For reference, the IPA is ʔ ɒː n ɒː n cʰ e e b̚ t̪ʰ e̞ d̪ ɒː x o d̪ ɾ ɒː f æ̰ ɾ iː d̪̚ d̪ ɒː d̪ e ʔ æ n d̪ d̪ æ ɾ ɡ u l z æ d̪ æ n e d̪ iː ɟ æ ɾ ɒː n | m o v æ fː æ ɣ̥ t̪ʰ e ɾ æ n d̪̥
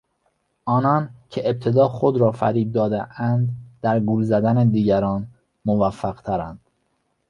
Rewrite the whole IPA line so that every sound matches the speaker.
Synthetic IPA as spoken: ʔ ɒː n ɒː n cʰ e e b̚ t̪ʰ e̞ d̪ ɒː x o d̪ ɾ ɒː f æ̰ ɾ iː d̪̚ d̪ ɒː d̪ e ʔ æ n d̪ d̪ æ ɾ ɡ u l z æ d̪ æ n e d̪ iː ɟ æ ɾ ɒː n | m o v æ fː æ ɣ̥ t̪ʰ æ ɾ æ n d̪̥

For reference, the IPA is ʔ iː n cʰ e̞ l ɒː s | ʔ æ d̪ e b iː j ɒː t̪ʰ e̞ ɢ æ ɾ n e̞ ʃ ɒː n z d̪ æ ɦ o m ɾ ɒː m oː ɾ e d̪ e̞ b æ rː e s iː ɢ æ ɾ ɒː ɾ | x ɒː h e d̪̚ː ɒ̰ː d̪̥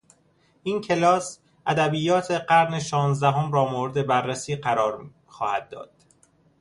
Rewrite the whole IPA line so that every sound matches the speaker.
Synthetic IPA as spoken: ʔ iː n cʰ e̞ l ɒː s | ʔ æ d̪ æ b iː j ɒː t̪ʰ e̞ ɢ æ ɾ n e̞ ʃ ɒː n z d̪ æ ɦ o m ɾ ɒː m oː ɾ e d̪ e̞ b æ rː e s iː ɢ æ ɾ ɒː ɾ | x ɒː h æ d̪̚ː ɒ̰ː d̪̥

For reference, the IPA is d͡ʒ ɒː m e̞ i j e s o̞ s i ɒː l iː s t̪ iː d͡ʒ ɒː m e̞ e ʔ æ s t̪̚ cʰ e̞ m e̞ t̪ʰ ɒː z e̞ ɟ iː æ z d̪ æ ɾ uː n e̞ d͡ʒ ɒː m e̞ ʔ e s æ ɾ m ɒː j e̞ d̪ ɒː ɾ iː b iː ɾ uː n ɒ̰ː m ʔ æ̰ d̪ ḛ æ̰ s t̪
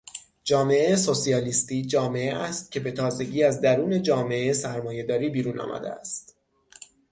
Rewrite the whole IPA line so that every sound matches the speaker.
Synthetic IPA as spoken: d͡ʒ ɒː m e̞ e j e s o̞ s i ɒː l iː s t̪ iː d͡ʒ ɒː m e̞ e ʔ æ s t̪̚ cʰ e̞ b e̞ t̪ʰ ɒː z e̞ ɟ iː æ z d̪ æ ɾ uː n e̞ d͡ʒ ɒː m e̞ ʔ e s æ ɾ m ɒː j e̞ d̪ ɒː ɾ iː b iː ɾ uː n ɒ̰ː m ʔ æ̰ d̪ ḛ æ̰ s t̪

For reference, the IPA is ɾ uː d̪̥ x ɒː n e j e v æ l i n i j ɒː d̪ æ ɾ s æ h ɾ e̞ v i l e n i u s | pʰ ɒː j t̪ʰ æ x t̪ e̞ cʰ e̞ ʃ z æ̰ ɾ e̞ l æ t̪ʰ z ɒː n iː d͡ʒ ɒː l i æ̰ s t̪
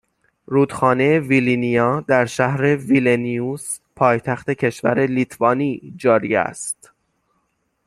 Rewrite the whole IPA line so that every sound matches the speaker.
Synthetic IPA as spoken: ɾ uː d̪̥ x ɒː n e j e v i l i n i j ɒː d̪ æ ɾ ʃ æ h ɾ e̞ v i l e n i u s | pʰ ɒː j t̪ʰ æ x t̪ e̞ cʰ e̞ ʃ v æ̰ ɾ e̞ l i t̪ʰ v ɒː n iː d͡ʒ ɒː ɾ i æ̰ s t̪

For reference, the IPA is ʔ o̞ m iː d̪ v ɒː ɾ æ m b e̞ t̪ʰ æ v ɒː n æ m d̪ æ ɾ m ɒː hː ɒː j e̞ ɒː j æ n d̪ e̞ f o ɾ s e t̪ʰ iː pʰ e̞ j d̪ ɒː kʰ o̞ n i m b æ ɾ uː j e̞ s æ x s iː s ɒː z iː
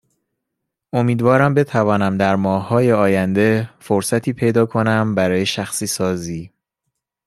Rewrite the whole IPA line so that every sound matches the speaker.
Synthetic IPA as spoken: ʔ o̞ m iː d̪ v ɒː ɾ æ m b e̞ t̪ʰ æ v ɒː n æ m d̪ æ ɾ m ɒː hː ɒː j e̞ ɒː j æ n d̪ e̞ f o ɾ s æ t̪ʰ iː pʰ e̞ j d̪ ɒː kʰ o̞ n æ m b æ ɾ ɒː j e̞ ʃ æ x s iː s ɒː z iː

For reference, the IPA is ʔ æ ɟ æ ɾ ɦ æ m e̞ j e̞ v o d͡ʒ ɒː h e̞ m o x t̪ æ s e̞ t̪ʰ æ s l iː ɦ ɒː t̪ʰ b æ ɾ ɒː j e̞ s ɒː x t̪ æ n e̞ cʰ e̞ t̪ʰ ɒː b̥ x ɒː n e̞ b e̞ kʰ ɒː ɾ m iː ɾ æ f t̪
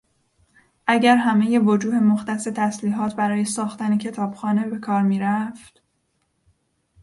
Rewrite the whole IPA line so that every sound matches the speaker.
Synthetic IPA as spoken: ʔ æ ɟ æ ɾ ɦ æ m e̞ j e̞ v o d͡ʒ uː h e̞ m o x t̪ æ s e̞ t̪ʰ æ s l iː ɦ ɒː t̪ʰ b æ ɾ ɒː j e̞ s ɒː x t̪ æ n e̞ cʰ e̞ t̪ʰ ɒː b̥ x ɒː n e̞ b e̞ kʰ ɒː ɾ m iː ɾ æ f t̪

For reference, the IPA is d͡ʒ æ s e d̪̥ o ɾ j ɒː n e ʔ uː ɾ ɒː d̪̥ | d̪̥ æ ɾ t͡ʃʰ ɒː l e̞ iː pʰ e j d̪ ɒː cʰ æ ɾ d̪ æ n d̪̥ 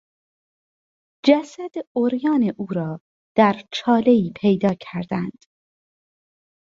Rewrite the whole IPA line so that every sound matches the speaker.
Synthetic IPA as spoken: d͡ʒ æ s æ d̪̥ o ɾ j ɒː n e ʔ uː ɾ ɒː | d̪̥ æ ɾ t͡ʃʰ ɒː l e̞ iː pʰ e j d̪ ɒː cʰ æ ɾ d̪ æ n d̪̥

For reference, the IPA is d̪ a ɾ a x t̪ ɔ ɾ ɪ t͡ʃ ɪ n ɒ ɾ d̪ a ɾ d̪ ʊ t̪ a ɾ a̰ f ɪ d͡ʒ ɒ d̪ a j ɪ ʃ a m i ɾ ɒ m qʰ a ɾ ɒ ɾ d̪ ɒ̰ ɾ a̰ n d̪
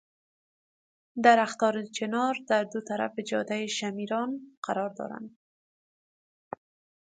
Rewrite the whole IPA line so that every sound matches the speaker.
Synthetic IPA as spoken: d̪ a ɾ a x t̪ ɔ ɾ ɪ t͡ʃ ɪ n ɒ ɾ d̪ a ɾ d̪ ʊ t̪ a ɾ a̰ f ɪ d͡ʒ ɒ d̪ a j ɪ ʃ a m i ɾ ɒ n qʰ a ɾ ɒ ɾ d̪ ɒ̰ ɾ a̰ n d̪

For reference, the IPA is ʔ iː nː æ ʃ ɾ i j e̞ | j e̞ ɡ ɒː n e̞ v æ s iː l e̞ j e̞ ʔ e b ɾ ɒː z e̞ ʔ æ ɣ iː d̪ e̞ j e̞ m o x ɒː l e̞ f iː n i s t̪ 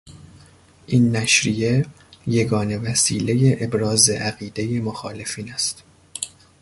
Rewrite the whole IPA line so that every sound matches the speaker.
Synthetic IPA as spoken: ʔ iː nː æ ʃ ɾ i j e̞ | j e̞ ɡ ɒː n e̞ v æ s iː l e̞ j e̞ ʔ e b ɾ ɒː z e̞ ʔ æ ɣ iː d̪ e̞ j e̞ m o x ɒː l e̞ f iː n æ s t̪

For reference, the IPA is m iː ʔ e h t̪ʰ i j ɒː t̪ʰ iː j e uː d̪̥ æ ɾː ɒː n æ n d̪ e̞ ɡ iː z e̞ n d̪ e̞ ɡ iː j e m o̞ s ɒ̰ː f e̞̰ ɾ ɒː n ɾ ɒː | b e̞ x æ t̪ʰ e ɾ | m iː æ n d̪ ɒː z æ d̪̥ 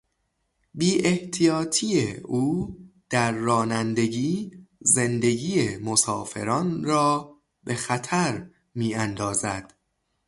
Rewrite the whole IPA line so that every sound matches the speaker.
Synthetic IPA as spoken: b iː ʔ e h t̪ʰ i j ɒː t̪ʰ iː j e uː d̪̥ æ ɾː ɒː n æ n d̪ e̞ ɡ iː z e̞ n d̪ e̞ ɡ iː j e m o̞ s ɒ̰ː f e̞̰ ɾ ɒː n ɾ ɒː | b e̞ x æ t̪ʰ æ ɾ | m iː æ n d̪ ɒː z æ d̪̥

